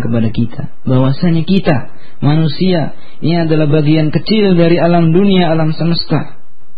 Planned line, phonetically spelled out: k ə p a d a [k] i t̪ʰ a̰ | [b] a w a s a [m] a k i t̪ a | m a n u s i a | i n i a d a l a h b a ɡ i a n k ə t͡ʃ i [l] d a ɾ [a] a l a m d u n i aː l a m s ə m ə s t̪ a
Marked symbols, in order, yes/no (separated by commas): yes, yes, no, yes, no